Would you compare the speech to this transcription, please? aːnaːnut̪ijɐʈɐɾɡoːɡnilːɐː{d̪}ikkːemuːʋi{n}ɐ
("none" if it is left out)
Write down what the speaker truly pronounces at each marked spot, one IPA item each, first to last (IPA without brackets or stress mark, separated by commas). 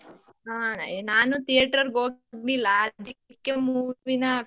d̪, n